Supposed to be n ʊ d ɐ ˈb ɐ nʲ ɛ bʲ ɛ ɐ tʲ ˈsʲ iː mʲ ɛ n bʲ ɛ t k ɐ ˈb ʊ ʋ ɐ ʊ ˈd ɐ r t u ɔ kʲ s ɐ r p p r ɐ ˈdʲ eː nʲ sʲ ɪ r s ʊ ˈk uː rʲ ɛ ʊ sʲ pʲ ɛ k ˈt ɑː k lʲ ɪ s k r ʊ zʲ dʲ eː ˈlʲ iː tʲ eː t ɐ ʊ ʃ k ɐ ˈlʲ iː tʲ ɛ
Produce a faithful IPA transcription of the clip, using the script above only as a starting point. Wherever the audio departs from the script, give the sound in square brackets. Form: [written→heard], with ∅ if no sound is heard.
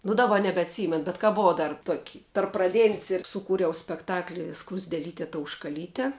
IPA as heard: n ʊ d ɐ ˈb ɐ nʲ ɛ bʲ ɛ ɐ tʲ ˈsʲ iː mʲ ɛ n bʲ ɛ t k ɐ ˈb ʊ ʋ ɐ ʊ ˈd ɐ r t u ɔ kʲ [s→t] ɐ r p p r ɐ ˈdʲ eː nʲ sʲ ɪ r s ʊ ˈk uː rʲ ɛ ʊ sʲ pʲ ɛ k ˈt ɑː k lʲ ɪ s k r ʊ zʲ dʲ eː ˈlʲ iː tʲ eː t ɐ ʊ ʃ k ɐ ˈlʲ iː tʲ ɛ

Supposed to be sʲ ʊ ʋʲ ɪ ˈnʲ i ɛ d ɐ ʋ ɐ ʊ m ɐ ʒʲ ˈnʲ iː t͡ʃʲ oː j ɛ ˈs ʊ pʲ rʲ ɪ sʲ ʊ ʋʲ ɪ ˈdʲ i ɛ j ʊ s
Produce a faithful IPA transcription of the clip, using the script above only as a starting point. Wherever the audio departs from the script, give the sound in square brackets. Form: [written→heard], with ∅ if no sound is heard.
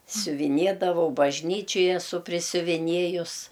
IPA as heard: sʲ ʊ ʋʲ ɪ ˈnʲ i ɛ d ɐ ʋ ɐ ʊ [m→b] ɐ ʒʲ ˈnʲ iː t͡ʃʲ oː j ɛ ˈs ʊ pʲ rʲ ɪ sʲ ʊ ʋʲ ɪ [ˈdʲ→ˈnʲ] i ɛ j ʊ s

